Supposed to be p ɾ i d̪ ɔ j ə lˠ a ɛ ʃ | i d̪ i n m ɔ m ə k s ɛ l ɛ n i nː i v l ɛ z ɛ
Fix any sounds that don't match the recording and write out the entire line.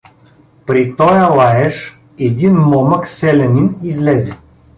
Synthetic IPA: p ɾ i t̪ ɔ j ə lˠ a ɛ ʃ | ɛ d̪ i n m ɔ m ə k s ɛ l ɛ n i n i z l ɛ z ɛ